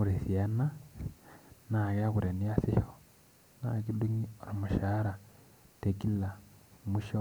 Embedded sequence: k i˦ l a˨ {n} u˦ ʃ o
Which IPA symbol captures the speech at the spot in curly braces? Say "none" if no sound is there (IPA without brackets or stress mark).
m